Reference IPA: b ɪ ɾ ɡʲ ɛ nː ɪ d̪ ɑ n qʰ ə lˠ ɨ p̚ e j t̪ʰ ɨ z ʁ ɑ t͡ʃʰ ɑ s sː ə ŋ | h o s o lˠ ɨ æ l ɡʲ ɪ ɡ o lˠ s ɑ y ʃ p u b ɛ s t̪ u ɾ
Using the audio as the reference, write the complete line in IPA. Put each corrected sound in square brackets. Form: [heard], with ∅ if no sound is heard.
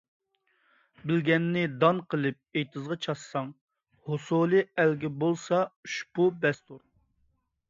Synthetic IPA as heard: b ɪ [l] ɡʲ ɛ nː ɪ d̪ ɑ n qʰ ə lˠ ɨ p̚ e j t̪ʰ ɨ z ʁ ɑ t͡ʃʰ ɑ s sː [ɑ] ŋ | h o s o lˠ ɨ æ l ɡʲ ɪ [b] o lˠ s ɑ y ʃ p u b ɛ s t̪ u ɾ